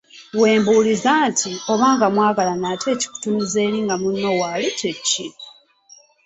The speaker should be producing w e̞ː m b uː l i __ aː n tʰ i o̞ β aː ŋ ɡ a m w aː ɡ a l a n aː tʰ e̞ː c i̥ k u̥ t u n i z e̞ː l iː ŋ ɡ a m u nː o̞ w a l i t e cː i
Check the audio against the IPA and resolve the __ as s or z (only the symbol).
z